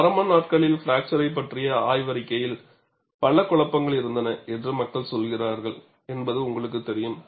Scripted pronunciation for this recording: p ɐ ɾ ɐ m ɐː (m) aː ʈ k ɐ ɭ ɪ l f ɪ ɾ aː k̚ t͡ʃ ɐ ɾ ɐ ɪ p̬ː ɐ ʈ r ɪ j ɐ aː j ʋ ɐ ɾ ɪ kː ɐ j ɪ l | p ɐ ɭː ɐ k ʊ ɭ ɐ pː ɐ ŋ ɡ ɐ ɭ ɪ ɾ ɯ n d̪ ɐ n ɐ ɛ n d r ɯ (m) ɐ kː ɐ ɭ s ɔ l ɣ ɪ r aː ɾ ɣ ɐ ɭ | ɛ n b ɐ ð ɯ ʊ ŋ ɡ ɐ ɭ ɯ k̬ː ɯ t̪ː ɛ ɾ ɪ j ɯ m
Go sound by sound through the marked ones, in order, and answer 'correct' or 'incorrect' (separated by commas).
incorrect, correct